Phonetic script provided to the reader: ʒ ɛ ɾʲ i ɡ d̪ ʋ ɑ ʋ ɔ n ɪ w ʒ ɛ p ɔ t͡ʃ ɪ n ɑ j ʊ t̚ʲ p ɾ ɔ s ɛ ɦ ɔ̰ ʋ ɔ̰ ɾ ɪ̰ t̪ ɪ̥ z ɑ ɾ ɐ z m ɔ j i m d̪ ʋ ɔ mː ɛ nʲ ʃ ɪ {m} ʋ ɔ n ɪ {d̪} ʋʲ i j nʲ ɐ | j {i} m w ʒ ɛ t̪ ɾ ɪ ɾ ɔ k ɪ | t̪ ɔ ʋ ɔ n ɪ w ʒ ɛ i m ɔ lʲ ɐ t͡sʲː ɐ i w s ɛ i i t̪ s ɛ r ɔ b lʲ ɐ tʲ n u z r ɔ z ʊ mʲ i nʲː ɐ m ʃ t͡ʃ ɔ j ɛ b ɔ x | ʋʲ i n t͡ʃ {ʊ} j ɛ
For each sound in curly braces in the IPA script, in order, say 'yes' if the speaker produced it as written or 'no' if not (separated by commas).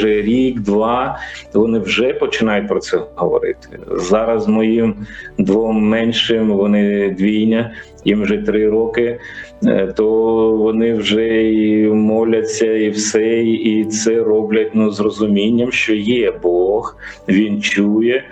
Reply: yes, yes, yes, no